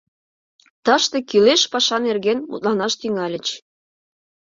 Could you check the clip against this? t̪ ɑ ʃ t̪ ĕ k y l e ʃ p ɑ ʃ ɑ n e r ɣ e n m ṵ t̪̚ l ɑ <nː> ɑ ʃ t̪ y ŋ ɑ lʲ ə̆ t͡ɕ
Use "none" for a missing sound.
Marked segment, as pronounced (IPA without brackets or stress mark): n